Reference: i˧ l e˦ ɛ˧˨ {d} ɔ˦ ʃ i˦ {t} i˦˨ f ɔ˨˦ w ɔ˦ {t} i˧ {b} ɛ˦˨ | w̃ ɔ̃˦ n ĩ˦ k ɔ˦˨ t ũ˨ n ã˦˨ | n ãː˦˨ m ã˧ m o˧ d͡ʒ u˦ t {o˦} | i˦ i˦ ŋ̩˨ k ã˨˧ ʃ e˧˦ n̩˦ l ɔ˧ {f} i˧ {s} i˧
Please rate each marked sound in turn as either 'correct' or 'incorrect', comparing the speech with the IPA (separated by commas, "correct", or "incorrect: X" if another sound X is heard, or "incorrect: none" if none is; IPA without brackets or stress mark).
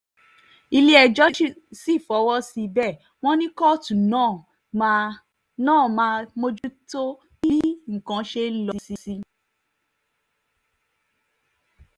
incorrect: d͡ʒ, incorrect: s, incorrect: s, correct, correct, incorrect: s, correct